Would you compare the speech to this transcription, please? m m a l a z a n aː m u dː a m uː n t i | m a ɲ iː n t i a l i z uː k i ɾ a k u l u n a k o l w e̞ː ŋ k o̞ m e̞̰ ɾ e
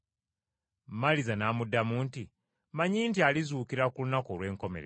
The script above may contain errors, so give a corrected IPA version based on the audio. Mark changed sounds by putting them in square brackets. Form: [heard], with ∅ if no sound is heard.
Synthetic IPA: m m a l [i] z a n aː m u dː a m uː n t i | m a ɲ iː n t i a l i z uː k i ɾ a k u l u n a k o l w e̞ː ŋ k o̞ m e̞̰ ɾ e